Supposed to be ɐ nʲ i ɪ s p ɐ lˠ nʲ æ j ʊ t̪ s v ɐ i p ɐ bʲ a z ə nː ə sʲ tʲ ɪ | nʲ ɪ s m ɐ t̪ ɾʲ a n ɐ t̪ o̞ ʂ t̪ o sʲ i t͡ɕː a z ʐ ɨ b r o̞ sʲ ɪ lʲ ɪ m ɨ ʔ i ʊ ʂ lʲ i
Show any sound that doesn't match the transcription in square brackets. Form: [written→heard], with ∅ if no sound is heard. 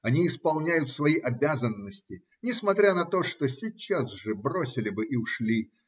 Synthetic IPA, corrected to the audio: ɐ nʲ i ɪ s p ɐ lˠ nʲ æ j ʊ t̪ s v ɐ i [p→ʔ] ɐ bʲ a z ə nː ə sʲ tʲ ɪ | nʲ ɪ s m ɐ t̪ ɾʲ a n ɐ t̪ o̞ ʂ t̪ o sʲ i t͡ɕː a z ʐ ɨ b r o̞ sʲ ɪ lʲ ɪ [m→b] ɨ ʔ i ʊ ʂ lʲ i